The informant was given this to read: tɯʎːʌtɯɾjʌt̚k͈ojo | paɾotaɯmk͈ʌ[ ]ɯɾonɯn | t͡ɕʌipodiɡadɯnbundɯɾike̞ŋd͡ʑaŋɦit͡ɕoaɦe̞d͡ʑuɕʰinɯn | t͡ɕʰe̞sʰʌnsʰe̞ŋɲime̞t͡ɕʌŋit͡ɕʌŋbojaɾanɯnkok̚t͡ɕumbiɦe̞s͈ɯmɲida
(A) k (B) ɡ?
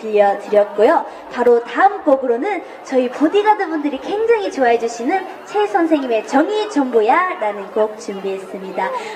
B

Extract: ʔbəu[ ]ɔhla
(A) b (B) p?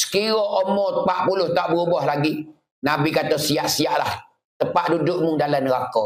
A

